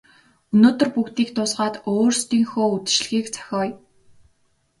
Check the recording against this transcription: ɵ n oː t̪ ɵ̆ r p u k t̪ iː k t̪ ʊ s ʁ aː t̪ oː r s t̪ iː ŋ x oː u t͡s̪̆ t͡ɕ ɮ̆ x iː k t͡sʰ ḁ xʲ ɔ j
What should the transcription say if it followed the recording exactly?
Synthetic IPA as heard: ɵ n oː t̪ ɵ̆ r p u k t̪ iː k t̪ ʊ s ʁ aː t̪ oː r s t̪ iː ŋ x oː u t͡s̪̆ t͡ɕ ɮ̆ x iː k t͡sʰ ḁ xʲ ɔː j